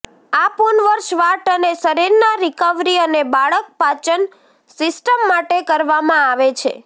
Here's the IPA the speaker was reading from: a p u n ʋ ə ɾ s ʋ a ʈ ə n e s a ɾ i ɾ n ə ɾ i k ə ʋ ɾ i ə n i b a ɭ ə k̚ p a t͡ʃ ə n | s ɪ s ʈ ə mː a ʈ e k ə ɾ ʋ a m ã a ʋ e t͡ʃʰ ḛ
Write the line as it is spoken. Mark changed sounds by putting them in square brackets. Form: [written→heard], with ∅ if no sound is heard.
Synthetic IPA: a p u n ʋ ə ɾ [s→ʃ] ʋ a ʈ ə n e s [a→ə] ɾ i ɾ n [ə→a] ɾ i k ə ʋ ɾ i ə n [i→e] b a ɭ ə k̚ p a t͡ʃ ə n | s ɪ s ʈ ə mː a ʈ e k ə ɾ ʋ a m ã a ʋ e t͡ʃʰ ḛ